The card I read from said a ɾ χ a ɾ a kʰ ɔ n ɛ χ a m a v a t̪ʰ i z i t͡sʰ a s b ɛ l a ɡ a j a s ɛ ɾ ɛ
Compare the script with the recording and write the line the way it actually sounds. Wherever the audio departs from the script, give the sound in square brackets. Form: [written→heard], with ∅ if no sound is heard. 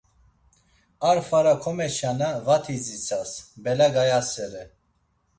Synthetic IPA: a ɾ [χ→f] a ɾ a kʰ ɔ [n→m] ɛ [χ→ʃ] a [m→n] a v a t̪ʰ i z i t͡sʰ a s b ɛ l a ɡ a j a s ɛ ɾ ɛ